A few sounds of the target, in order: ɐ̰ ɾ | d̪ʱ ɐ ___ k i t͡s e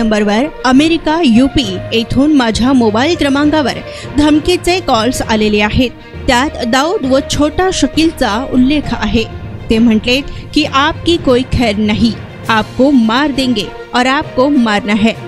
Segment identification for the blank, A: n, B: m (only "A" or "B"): B